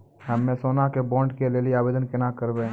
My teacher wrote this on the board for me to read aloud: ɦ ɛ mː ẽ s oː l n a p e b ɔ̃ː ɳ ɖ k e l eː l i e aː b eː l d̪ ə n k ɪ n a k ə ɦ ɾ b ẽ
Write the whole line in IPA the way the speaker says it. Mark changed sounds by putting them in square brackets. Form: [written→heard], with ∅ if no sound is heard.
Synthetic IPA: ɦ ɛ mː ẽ s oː [l→∅] n a [p→k] e b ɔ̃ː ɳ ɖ k e l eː l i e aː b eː [l→∅] d̪ ə n k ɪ n a k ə [ɦ→∅] ɾ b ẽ